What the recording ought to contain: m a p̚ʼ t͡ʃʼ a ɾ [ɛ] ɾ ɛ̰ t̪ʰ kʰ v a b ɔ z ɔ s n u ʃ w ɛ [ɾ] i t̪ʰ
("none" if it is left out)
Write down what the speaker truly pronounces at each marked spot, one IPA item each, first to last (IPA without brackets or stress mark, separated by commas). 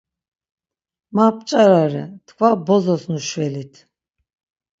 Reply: a, l